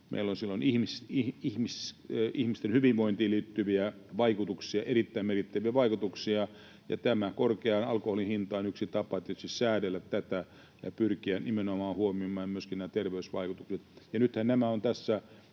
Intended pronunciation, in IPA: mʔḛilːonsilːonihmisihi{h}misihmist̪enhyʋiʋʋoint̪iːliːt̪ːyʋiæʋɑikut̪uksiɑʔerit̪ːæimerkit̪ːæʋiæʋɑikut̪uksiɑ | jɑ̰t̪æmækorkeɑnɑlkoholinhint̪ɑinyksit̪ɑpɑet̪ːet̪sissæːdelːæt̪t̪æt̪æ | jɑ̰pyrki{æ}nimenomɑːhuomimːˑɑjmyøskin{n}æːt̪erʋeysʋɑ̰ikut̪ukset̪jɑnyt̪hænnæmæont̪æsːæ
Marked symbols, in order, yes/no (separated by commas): yes, yes, yes